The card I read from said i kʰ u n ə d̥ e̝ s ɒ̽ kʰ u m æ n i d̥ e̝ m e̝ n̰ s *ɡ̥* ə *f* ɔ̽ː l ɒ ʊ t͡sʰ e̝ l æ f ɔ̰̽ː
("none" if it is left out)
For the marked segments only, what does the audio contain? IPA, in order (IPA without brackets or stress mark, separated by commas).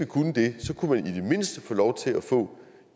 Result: d̥, f